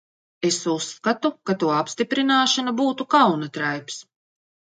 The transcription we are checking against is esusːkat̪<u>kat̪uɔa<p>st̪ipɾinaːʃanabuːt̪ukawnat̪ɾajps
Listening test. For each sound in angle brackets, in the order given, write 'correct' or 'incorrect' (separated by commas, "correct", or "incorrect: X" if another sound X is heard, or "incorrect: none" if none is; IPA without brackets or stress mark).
correct, correct